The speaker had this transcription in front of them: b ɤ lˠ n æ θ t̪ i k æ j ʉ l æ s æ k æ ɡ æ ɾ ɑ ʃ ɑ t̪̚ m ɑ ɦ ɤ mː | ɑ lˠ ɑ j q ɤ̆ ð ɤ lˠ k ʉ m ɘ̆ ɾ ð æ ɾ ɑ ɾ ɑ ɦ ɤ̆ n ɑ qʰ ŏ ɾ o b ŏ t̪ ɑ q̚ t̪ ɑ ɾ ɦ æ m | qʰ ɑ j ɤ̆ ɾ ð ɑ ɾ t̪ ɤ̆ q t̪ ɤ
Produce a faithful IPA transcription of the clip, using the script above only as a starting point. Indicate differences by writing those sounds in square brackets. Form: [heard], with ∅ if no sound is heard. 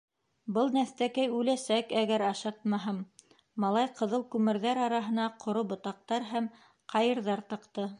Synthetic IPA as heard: b ɤ lˠ n æ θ t̪ [æ] k æ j ʉ l æ s æ k æ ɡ æ ɾ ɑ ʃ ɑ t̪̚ m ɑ ɦ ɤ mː | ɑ lˠ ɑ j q ɤ̆ ð ɤ lˠ k ʉ m ɘ̆ ɾ ð æ ɾ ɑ ɾ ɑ ɦ ɤ̆ n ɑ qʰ ŏ ɾ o b ŏ t̪ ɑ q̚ t̪ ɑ ɾ ɦ æ m | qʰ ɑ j ɤ̆ ɾ ð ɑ ɾ t̪ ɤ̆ q t̪ ɤ